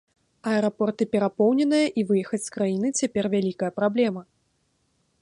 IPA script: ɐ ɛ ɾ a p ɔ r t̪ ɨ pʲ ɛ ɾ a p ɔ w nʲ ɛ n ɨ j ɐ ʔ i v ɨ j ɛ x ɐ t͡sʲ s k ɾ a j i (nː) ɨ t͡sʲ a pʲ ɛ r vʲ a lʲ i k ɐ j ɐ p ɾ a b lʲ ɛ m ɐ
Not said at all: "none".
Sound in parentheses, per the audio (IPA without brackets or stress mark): n